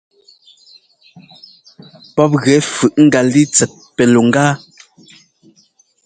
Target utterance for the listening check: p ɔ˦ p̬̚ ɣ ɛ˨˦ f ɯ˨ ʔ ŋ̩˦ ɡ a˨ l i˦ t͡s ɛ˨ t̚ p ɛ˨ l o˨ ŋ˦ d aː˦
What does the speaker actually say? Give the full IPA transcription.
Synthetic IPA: p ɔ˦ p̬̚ ɣ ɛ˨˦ f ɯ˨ ʔ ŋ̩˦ ɡ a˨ l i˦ t͡s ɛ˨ t̚ p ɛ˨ l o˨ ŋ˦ ɡ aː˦